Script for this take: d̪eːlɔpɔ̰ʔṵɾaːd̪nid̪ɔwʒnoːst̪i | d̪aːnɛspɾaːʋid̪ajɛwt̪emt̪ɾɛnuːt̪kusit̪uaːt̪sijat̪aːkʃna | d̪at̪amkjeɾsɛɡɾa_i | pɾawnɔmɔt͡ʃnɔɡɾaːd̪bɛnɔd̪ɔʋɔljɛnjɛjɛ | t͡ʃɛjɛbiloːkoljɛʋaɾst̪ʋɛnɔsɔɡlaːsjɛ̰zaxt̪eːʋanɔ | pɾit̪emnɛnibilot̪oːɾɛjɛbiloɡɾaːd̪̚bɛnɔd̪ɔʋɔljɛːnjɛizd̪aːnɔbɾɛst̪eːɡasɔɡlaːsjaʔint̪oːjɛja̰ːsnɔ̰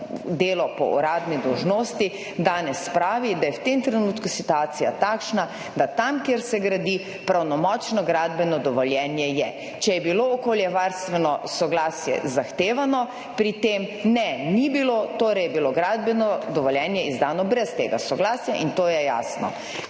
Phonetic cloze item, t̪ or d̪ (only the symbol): d̪